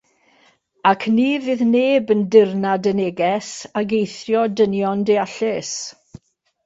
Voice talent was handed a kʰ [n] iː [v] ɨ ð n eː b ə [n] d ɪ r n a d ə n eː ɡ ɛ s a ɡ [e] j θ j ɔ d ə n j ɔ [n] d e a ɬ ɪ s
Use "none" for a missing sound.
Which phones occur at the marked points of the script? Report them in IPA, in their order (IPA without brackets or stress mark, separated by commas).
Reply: n, v, n, e, n